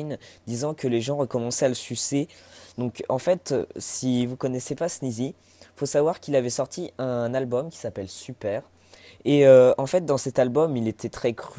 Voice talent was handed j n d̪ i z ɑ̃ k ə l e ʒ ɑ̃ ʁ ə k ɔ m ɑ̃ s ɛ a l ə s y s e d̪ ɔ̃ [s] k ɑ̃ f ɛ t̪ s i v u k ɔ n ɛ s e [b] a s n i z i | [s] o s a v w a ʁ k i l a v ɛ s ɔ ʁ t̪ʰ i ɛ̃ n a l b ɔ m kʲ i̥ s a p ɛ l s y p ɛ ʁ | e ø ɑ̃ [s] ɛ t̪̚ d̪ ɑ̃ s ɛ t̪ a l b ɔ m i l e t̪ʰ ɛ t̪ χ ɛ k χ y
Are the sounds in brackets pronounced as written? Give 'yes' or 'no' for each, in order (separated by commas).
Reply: no, no, no, no